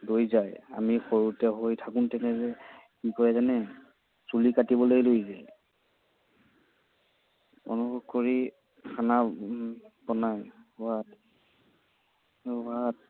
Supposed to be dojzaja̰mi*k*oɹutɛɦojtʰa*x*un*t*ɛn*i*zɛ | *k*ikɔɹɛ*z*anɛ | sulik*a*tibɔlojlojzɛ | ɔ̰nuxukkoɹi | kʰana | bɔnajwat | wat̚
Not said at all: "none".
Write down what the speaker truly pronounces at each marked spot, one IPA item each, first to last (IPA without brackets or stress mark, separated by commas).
x, k, t, ɛ, k, z, a